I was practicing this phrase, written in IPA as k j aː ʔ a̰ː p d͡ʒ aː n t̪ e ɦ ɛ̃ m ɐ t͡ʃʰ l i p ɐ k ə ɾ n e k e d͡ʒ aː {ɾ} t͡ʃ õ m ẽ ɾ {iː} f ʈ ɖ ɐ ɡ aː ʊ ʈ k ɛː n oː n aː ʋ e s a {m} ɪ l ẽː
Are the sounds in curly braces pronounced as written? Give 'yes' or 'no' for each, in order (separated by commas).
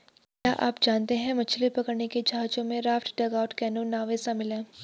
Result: no, no, yes